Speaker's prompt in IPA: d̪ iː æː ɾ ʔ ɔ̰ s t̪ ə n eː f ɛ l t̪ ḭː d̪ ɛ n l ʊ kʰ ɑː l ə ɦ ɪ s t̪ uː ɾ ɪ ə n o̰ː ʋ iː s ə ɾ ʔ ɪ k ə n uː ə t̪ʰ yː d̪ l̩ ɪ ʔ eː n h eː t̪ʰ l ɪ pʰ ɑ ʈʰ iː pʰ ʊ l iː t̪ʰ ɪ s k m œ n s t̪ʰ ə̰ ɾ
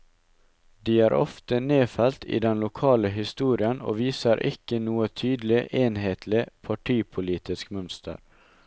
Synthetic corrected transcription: d̪ iː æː ɾ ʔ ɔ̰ f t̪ ə n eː f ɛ l t̪ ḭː d̪ ɛ n l ʊ kʰ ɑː l ə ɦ ɪ s t̪ uː ɾ ɪ ə n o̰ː ʋ iː s ə ɾ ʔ ɪ k ə n uː ə t̪ʰ yː d̪ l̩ ɪ ʔ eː n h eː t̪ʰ l ɪ pʰ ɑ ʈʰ iː pʰ ʊ l iː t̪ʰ ɪ s k m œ n s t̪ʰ ə̰ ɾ